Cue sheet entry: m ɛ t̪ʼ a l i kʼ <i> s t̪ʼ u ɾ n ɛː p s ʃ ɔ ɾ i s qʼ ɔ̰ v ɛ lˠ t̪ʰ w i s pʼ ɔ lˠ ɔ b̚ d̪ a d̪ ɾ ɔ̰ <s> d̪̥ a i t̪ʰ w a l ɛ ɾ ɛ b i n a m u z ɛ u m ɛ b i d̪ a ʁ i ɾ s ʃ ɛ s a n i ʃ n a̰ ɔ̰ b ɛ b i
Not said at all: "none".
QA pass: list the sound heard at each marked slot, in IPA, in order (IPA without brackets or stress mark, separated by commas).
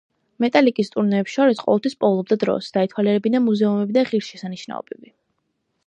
i, s